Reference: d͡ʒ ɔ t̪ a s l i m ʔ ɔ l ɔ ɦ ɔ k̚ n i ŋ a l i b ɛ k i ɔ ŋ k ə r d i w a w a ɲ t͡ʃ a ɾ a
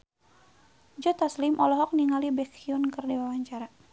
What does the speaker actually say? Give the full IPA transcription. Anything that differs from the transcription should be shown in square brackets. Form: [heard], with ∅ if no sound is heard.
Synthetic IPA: d͡ʒ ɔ t̪ a s l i m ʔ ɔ l ɔ ɦ ɔ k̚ n i ŋ a l i b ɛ k i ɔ [n] k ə r d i w a w a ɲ t͡ʃ a ɾ a

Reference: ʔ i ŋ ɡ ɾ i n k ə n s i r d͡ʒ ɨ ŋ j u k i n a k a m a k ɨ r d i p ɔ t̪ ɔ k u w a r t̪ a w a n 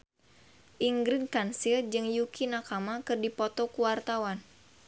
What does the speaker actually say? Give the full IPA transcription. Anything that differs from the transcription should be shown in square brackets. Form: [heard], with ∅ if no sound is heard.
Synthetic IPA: ʔ i ŋ ɡ ɾ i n k [a] n s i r d͡ʒ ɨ ŋ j u k i n a k a m a k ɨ r d i p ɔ t̪ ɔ k u w a r t̪ a w a n

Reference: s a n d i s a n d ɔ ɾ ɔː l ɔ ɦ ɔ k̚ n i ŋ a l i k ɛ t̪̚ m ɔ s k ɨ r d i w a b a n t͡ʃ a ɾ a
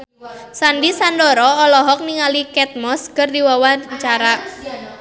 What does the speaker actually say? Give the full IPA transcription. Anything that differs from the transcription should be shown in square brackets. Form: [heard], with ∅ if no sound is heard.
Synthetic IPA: s a n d i s a n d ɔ ɾ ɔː l ɔ ɦ ɔ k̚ n i ŋ a l i k ɛ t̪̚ m ɔ s k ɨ r d i w a [w] a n t͡ʃ a ɾ a

